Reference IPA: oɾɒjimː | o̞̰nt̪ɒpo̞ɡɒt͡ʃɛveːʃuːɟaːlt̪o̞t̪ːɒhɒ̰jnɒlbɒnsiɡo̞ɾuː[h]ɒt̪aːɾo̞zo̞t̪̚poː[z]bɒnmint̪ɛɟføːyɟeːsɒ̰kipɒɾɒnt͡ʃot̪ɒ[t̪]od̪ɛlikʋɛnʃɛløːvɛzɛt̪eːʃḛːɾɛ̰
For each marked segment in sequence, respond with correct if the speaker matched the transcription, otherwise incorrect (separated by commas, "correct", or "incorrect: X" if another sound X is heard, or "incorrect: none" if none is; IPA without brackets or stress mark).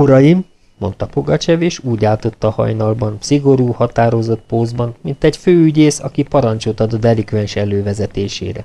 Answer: correct, correct, incorrect: d̪